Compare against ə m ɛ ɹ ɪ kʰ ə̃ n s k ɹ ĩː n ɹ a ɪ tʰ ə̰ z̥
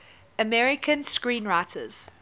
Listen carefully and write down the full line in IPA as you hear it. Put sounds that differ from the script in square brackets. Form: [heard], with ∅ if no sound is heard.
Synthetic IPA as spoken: ə m ɛ ɹ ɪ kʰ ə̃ n s k ɹ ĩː n ɹ a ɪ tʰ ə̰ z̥